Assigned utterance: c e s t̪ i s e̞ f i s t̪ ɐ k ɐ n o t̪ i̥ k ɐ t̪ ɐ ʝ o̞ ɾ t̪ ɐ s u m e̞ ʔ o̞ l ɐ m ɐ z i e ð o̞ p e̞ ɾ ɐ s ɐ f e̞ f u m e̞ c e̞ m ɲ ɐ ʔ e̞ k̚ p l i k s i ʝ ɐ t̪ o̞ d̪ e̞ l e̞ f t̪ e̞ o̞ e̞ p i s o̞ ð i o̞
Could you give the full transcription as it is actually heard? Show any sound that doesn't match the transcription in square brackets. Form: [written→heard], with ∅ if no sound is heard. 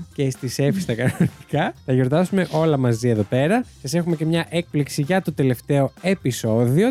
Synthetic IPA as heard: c e s t̪ i s e̞ f i s t̪ ɐ k ɐ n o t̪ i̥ k ɐ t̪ ɐ ʝ o̞ ɾ t̪ ɐ s u m e̞ ʔ o̞ l ɐ m ɐ z i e ð o̞ p e̞ ɾ ɐ s ɐ [f→s] e̞ [f→x] u m e̞ c e̞ m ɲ ɐ ʔ e̞ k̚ p l i k s i ʝ ɐ t̪ o̞ [d̪→t̪] e̞ l e̞ f t̪ e̞ o̞ e̞ p i s o̞ ð i o̞